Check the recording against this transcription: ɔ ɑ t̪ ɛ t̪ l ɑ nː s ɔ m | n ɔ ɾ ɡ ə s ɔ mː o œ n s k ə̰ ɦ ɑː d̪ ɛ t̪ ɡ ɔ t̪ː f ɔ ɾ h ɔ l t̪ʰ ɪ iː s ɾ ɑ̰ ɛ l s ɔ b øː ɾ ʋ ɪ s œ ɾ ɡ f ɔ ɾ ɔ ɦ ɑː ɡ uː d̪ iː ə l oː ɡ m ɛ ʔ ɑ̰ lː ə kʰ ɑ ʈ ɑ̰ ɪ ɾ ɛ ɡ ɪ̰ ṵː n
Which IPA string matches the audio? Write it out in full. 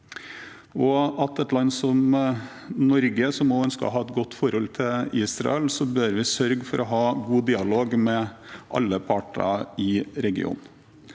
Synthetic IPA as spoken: ɔ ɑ t̪ ɛ t̪ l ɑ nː s ɔ m | n ɔ ɾ ɡ ə s ɔ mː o œ n s k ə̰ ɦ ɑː ɛ t̪ ɡ ɔ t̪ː f ɔ ɾ h ɔ l t̪ʰ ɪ iː s ɾ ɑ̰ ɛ l s ɔ b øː ɾ ʋ ɪ s œ ɾ ɡ f ɔ ɾ ɔ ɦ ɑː ɡ uː d̪ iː ɑ l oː ɡ m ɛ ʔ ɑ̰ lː ə pʰ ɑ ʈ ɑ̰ ɪ ɾ ɛ ɡ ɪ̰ ṵː n